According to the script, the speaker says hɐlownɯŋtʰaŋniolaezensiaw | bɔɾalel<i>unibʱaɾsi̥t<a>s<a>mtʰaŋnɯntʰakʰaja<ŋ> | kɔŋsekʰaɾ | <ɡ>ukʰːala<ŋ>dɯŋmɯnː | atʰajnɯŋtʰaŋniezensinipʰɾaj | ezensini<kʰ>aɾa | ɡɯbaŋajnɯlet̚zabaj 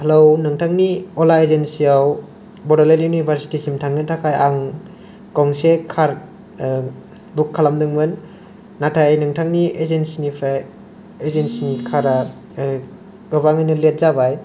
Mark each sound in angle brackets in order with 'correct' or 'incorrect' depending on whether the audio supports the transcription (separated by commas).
incorrect, incorrect, incorrect, correct, incorrect, incorrect, correct